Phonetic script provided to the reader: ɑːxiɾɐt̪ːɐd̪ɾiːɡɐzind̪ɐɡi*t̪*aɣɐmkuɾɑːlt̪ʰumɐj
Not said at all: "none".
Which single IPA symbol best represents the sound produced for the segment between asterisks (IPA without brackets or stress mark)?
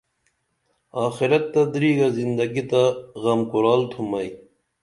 t̪